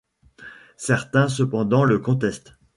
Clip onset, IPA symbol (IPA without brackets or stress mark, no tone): s